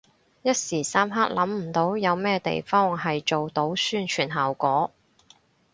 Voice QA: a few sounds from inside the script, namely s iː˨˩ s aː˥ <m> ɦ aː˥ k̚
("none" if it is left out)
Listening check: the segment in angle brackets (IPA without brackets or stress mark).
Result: m